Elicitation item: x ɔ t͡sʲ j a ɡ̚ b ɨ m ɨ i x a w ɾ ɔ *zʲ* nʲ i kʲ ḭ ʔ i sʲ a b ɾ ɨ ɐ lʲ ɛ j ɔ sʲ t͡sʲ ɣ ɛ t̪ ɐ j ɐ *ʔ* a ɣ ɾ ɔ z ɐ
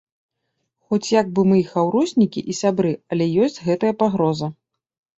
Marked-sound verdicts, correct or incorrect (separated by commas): incorrect, incorrect